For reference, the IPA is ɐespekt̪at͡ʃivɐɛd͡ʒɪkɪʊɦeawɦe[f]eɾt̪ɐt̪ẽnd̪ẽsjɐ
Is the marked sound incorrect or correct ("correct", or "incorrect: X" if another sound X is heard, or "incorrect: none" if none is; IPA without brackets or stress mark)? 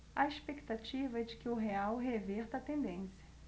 incorrect: v